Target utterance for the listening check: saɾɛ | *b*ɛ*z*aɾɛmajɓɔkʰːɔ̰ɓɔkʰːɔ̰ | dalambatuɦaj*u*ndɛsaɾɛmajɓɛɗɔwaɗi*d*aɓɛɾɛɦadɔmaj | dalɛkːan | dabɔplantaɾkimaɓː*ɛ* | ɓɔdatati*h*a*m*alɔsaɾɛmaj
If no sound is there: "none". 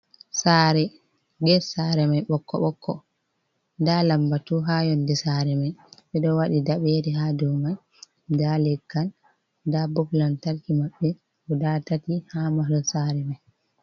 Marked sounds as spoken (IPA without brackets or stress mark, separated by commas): ɡ, s, ɔ, d, ɛ, h, m